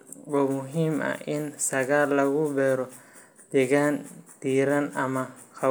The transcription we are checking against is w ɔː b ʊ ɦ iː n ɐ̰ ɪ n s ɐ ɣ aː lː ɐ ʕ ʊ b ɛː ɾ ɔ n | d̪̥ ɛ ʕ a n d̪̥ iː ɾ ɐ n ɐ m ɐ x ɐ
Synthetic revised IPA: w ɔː m ʊ ɦ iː m ɐ̰ ɪ n s ɐ ɣ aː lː ɐ ɣ ʊ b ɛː ɾ ɔ | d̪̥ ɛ ɣ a n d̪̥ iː ɾ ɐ n ɐ m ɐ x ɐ

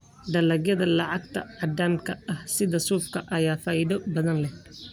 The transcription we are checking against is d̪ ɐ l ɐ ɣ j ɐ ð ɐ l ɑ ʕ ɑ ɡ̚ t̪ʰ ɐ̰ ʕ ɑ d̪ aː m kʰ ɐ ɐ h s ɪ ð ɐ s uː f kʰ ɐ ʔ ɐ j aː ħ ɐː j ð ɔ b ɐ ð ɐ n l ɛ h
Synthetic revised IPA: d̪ ɐ l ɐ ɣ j ɐ ð ɐ l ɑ ʕ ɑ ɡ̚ t̪ʰ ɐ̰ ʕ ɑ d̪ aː m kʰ ɐ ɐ h s ɪ ð ɐ s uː f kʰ ɐ ʔ ɐ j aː f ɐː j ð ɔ b ɐ ð ɐ n l ɛ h

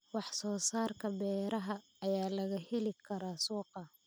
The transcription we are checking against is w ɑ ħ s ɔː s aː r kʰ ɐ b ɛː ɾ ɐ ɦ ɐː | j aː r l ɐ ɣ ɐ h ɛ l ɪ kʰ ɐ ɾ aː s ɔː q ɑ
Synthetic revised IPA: w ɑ ħ s ɔː s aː r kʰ ɐ b ɛː ɾ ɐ ɦ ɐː | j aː l ɐ ɣ ɐ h ɛ l ɪ kʰ ɐ ɾ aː s uː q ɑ

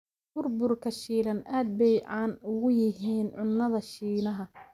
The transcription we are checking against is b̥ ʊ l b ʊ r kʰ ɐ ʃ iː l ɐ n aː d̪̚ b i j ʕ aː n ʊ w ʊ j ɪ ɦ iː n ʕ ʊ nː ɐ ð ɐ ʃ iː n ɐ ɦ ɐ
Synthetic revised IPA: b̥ ʊ r b ʊ r kʰ ɐ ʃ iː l ɐ n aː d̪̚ b ɛ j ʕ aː n ʊ ɣ ʊ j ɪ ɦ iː n ʕ ʊ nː ɐ ð ɐ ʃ iː n ɐ ɦ ɐ

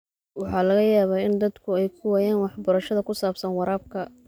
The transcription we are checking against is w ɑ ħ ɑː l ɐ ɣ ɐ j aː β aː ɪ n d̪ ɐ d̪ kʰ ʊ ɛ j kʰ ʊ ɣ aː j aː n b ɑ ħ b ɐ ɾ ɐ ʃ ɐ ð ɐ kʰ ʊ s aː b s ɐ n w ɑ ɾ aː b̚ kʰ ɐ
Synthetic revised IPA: w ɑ ħ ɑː l ɐ ɣ ɐ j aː β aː ɪ n d̪ ɐ d̪ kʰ ʊ ɛ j kʰ ʊ w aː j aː n w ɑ ħ b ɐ ɾ ɐ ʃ ɐ ð ɐ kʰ ʊ s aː b s ɐ n w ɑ ɾ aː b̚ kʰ ɐ

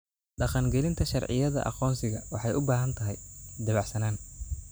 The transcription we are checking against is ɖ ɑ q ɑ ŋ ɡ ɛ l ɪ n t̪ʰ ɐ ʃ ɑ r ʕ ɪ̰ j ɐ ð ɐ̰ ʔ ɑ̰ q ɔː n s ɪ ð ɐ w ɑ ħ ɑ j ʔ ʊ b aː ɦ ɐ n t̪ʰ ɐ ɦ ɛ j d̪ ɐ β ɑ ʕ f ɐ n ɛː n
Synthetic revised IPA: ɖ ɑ q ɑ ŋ ɡ ɛ l ɪ n t̪ʰ ɐ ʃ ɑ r ʕ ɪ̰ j ɐ ð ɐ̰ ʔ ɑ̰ q ɔː n s ɪ ɣ ɐ w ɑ ħ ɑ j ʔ ʊ b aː ɦ ɐ n t̪ʰ ɐ ɦ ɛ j d̪ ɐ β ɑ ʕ s ɐ n aː n

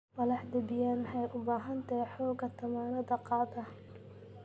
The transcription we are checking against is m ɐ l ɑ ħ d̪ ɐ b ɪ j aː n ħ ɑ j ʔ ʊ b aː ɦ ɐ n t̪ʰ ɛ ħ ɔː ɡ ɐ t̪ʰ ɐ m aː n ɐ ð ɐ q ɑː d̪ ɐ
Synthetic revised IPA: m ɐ l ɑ ħ d̪ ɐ b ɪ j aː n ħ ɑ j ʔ ʊ b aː ɦ ɐ n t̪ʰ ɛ ħ ɔː ɡ ɐ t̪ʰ ɐ m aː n ɐ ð ɐ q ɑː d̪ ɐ

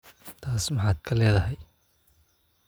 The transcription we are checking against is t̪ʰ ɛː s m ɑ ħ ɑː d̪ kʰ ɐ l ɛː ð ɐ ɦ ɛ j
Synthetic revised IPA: t̪ʰ aː s m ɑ ħ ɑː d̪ kʰ ɐ l ɛː ð ɐ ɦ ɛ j

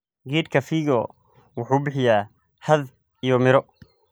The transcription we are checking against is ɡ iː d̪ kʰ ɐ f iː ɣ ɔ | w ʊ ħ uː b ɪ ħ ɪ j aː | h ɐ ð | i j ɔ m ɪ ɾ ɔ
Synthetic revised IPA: ɡ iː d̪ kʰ ɐ f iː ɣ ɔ | w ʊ ħ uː b ɪ ħ ɪ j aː | h ɐ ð | i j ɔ m ɪ ɾ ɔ

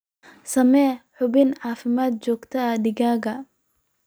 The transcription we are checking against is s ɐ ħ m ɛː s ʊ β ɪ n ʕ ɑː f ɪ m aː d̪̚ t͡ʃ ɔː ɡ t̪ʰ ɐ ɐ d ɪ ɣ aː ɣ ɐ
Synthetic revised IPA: s ɐ m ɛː ħ ʊ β ɪ n ʕ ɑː f ɪ m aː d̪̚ t͡ʃ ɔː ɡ t̪ʰ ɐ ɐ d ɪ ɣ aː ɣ ɐ

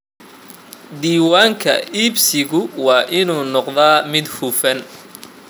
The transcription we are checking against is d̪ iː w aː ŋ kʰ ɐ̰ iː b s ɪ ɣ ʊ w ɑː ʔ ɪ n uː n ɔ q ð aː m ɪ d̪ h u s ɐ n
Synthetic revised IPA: d̪ iː w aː ŋ kʰ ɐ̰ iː b s ɪ ɣ ʊ w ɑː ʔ ɪ n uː n ɔ q ð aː m ɪ d̪ h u f ɐ n

